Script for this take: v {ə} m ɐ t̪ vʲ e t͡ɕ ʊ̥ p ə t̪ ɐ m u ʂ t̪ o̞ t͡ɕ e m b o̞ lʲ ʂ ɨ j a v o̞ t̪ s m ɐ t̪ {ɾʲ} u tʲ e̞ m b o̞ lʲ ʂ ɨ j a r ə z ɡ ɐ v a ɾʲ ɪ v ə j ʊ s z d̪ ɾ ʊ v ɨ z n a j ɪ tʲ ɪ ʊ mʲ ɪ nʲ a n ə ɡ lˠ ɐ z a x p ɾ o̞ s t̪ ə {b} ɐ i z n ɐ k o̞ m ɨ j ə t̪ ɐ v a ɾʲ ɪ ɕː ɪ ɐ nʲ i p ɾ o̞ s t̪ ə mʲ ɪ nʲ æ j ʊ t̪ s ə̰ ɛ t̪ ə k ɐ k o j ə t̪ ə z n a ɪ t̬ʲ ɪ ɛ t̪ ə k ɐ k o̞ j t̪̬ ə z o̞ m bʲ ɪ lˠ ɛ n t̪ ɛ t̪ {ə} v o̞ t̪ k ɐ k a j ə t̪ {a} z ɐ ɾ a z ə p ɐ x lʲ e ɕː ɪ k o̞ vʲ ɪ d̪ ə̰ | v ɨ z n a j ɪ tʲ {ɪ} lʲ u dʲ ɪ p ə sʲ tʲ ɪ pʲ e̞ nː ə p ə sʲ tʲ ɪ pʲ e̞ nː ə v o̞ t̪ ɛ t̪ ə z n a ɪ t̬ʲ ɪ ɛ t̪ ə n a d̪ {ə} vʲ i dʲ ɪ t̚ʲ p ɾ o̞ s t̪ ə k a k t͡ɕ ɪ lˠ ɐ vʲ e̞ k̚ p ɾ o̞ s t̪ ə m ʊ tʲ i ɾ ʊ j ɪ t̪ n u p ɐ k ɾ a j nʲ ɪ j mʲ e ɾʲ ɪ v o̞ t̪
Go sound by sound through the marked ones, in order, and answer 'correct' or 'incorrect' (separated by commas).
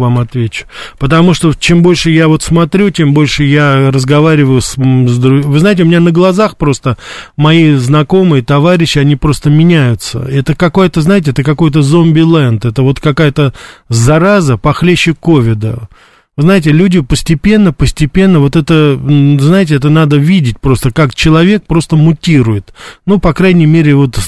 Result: incorrect, correct, incorrect, correct, incorrect, correct, correct